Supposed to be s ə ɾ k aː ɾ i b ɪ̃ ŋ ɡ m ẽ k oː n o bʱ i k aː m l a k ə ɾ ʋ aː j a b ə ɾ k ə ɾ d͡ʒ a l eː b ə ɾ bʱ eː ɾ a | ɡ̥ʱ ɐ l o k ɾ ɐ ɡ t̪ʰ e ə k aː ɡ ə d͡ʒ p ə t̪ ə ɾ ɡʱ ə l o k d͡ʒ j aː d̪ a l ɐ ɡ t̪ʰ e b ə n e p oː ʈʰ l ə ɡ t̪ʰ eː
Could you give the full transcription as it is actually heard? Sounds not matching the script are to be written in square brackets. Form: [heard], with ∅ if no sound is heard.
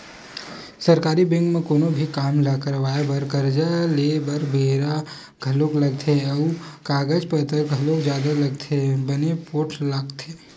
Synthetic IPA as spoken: s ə ɾ k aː ɾ i b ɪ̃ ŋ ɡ m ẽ k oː n o bʱ i k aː m l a k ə ɾ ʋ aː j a b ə ɾ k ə ɾ d͡ʒ a l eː b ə ɾ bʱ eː ɾ a | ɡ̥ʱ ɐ l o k [l] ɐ ɡ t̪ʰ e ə k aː ɡ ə d͡ʒ p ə t̪ ə ɾ ɡʱ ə l o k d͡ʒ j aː d̪ a l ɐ ɡ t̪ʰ e b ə n e p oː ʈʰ l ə ɡ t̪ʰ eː